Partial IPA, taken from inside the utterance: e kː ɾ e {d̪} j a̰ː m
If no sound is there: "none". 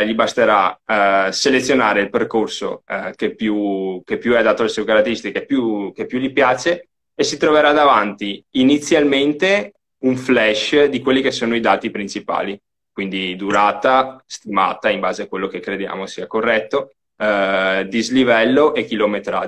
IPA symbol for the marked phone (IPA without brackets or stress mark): d̪